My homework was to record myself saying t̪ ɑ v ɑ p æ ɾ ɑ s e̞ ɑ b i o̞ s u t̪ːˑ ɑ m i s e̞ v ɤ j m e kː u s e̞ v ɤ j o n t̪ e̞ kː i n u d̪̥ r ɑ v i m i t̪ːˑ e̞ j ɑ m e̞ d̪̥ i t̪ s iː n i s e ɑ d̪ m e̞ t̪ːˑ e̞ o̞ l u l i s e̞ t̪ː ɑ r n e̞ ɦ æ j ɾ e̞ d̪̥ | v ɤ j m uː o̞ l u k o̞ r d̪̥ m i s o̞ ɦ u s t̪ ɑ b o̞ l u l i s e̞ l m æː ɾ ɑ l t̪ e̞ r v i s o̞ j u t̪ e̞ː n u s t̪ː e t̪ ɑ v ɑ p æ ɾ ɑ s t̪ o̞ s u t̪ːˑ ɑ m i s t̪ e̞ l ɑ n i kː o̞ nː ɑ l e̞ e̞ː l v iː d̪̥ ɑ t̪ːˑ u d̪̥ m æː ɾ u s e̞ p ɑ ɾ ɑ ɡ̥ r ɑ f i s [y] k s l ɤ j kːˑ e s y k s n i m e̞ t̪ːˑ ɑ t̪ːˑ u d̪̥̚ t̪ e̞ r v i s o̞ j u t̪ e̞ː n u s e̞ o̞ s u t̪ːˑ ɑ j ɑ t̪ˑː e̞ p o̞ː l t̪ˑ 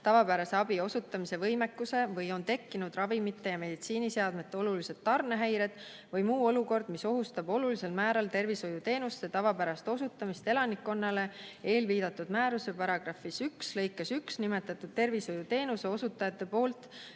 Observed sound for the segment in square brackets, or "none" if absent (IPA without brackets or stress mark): y